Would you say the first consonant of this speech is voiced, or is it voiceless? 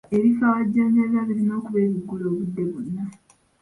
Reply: voiced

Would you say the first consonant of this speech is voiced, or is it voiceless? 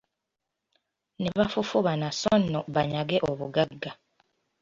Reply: voiced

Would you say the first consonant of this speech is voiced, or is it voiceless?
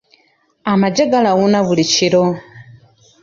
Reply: voiced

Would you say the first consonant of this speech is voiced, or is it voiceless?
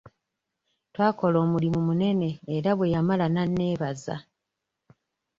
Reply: voiceless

